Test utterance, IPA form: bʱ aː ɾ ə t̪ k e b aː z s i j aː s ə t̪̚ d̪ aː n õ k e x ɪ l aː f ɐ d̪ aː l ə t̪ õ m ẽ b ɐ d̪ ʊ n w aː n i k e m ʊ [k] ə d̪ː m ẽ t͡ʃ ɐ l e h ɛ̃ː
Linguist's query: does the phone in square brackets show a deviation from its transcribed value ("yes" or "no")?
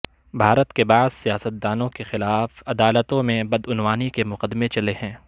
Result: yes